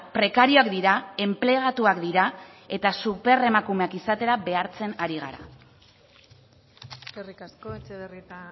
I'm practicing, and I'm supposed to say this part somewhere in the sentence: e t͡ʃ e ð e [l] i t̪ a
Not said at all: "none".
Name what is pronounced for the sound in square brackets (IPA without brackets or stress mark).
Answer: r